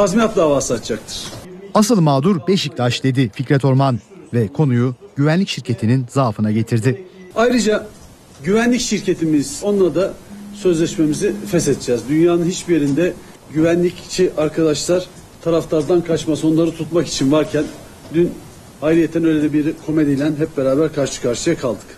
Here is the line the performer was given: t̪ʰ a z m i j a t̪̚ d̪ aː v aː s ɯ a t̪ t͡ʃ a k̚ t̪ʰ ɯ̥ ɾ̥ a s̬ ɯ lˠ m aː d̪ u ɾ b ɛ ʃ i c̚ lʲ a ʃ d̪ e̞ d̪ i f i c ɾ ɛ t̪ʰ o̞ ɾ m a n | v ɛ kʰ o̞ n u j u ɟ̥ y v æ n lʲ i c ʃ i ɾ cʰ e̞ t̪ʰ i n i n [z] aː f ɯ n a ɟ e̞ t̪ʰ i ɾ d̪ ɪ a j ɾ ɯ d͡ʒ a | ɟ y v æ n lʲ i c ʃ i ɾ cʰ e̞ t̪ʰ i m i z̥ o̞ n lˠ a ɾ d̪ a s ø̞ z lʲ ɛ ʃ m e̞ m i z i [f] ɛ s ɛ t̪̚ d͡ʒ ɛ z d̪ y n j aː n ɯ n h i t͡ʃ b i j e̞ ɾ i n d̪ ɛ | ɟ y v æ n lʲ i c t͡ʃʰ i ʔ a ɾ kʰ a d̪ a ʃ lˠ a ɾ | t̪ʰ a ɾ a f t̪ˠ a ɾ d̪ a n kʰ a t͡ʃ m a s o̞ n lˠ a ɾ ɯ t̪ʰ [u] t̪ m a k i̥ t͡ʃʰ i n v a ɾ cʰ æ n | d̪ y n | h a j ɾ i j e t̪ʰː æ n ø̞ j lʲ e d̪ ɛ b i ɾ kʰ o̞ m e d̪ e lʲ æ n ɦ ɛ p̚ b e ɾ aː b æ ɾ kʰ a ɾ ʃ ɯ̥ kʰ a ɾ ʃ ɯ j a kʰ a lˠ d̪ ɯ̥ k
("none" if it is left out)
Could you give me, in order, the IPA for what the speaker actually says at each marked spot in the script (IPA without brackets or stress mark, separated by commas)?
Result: z, f, u